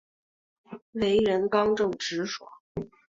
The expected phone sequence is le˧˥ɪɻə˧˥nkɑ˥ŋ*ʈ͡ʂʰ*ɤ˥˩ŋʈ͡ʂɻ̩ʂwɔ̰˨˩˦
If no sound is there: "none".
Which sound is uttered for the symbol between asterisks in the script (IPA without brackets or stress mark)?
ʈ͡ʂ